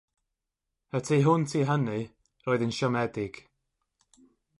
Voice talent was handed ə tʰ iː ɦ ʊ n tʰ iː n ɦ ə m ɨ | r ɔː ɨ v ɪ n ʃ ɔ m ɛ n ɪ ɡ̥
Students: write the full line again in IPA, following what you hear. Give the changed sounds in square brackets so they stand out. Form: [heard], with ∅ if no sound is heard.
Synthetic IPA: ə tʰ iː ɦ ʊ n tʰ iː [∅] ɦ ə [n] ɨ | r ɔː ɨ [ð] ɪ n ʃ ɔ m ɛ [d] ɪ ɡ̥